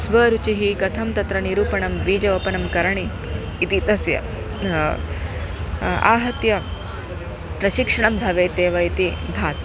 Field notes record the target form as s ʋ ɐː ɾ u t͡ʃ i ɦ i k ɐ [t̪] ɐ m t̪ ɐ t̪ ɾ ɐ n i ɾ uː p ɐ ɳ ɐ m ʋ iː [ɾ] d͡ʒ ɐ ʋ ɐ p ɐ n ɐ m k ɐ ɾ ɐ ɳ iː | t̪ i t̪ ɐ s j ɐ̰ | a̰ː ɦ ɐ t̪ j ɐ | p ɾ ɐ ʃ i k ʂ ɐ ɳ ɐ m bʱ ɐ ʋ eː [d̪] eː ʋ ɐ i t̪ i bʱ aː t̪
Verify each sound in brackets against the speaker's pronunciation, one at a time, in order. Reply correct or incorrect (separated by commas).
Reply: incorrect, incorrect, incorrect